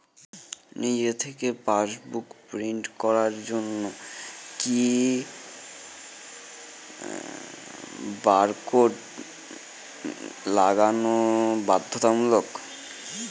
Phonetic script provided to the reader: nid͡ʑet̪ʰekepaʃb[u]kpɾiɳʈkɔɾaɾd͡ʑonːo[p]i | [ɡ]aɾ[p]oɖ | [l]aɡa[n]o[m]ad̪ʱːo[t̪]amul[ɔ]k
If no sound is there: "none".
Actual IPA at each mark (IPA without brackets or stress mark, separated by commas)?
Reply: u, k, b, k, l, n, b, t̪, o